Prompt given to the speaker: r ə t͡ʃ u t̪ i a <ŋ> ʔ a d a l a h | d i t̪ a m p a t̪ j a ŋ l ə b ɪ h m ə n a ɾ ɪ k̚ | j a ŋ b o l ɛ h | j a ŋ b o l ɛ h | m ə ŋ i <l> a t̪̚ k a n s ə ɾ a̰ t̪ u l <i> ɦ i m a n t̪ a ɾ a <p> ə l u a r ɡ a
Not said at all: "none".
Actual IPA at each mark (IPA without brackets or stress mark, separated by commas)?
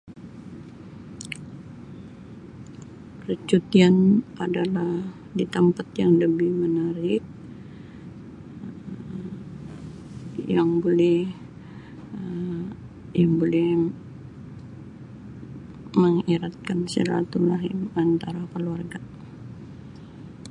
n, ɾ, a, k